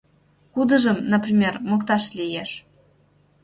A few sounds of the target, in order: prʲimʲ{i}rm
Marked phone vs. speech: incorrect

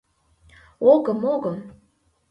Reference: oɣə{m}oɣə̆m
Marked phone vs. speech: correct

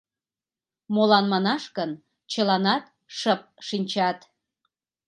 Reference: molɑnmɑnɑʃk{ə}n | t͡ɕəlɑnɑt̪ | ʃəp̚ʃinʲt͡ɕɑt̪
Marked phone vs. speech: correct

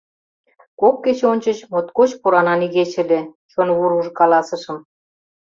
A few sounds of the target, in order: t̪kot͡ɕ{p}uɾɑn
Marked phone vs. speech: correct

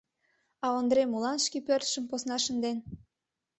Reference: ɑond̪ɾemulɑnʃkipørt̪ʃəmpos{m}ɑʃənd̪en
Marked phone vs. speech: incorrect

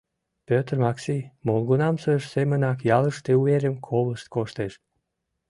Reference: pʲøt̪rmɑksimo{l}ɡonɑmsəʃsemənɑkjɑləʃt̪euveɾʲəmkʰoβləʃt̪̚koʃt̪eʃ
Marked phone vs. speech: correct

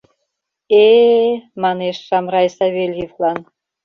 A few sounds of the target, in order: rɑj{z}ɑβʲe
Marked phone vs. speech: incorrect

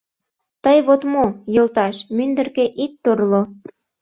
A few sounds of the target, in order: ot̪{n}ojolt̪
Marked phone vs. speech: incorrect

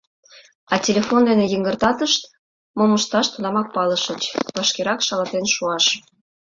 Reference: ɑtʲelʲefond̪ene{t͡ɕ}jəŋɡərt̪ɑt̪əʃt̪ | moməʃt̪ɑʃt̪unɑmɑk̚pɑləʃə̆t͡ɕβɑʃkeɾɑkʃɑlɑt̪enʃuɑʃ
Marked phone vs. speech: incorrect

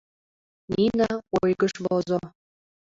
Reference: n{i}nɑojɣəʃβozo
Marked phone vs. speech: correct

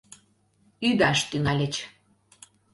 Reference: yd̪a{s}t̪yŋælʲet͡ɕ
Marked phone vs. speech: incorrect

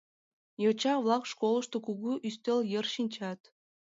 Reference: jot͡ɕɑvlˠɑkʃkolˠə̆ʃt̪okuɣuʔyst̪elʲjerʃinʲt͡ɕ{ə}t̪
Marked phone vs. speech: incorrect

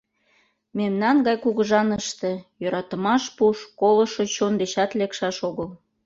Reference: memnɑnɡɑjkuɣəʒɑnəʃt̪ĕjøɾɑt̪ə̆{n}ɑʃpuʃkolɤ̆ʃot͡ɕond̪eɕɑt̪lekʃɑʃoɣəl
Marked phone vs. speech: incorrect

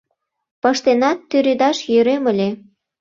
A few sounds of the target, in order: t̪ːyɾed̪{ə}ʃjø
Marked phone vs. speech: incorrect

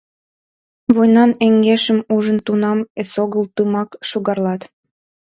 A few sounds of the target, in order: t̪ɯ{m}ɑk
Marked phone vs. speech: correct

